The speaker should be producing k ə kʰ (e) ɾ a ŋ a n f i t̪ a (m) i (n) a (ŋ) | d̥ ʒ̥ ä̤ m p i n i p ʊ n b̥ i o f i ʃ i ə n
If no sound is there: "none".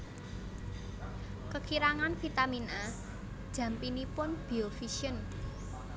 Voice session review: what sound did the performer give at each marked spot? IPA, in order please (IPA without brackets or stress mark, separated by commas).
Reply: i, m, n, none